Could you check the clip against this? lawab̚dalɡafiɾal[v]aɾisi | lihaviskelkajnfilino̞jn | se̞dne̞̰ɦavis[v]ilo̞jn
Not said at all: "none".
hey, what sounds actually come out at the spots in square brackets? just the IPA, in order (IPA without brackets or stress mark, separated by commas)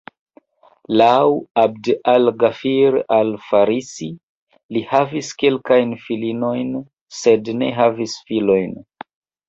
f, f